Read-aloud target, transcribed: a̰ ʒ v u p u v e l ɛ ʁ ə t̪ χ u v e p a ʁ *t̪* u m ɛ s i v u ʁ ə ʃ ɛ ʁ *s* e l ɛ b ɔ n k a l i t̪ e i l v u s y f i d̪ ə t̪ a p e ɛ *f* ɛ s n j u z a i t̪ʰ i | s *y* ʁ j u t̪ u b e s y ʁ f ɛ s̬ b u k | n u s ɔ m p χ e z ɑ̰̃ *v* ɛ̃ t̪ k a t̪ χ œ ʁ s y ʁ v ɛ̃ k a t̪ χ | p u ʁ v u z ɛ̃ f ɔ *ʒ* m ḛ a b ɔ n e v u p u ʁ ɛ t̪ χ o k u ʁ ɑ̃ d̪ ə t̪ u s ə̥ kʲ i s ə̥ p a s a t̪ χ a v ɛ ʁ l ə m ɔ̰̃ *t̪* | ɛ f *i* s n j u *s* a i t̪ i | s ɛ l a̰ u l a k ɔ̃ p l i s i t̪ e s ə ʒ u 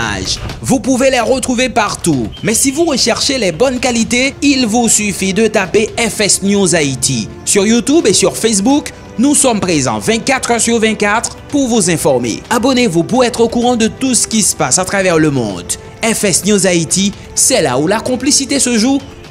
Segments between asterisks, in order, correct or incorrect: correct, incorrect: ʃ, correct, correct, correct, incorrect: ʁ, incorrect: d̪, incorrect: ɛ, incorrect: z

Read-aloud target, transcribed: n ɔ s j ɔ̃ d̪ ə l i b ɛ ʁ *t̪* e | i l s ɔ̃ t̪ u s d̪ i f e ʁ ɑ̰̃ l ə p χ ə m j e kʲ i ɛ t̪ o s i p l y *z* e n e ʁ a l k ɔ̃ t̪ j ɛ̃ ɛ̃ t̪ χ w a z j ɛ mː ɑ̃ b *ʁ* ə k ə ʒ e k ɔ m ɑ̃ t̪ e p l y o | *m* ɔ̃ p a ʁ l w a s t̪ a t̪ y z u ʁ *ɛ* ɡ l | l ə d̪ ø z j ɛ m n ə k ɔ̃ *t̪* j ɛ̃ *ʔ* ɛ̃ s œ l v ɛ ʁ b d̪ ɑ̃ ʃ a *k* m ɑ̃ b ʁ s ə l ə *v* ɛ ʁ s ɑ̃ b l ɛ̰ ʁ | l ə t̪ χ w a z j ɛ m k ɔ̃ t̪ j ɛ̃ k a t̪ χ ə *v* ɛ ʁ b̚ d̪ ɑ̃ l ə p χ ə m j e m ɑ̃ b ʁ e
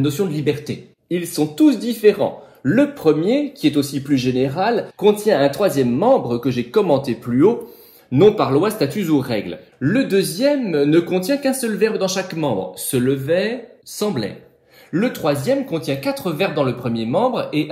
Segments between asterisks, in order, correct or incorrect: correct, incorrect: ʒ, correct, incorrect: n, correct, correct, incorrect: k, correct, correct, correct

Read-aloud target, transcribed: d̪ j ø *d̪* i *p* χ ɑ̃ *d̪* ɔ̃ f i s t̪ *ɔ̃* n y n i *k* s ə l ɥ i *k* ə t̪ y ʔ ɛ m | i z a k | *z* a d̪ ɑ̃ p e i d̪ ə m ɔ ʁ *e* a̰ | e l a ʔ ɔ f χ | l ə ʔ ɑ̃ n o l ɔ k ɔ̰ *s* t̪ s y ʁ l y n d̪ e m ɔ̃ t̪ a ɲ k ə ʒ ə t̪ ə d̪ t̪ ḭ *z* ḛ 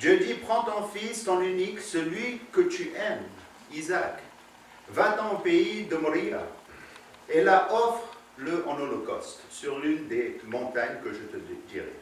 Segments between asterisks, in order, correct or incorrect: correct, correct, incorrect: t̪, correct, correct, correct, incorrect: v, incorrect: i, correct, incorrect: ʁ

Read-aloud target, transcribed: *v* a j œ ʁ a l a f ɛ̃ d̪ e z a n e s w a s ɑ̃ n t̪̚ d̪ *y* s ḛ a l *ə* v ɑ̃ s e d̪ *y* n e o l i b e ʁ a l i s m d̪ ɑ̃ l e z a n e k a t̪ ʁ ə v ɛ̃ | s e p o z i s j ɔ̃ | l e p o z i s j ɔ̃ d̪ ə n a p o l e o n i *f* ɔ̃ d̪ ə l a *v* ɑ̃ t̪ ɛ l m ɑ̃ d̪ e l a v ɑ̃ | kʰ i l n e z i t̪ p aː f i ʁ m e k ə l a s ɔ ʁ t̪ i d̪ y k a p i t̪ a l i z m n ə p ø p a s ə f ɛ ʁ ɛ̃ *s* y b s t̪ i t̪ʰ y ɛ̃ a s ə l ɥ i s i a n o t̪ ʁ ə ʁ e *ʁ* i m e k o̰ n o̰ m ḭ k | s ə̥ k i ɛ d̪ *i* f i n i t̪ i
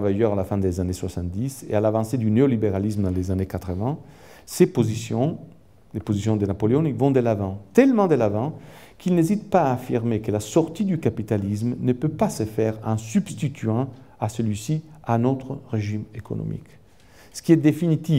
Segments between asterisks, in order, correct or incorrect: correct, incorrect: i, incorrect: a, correct, incorrect: v, correct, correct, incorrect: ʒ, incorrect: e

